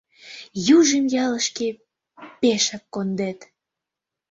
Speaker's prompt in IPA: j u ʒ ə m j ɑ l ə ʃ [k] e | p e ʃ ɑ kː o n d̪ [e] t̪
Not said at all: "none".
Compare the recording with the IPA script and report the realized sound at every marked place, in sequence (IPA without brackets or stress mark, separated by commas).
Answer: k, e